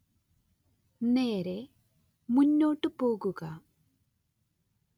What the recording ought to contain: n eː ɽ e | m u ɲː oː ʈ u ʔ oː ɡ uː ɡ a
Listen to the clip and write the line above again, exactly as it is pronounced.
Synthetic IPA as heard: n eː ɾ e | m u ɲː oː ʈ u p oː ɡ u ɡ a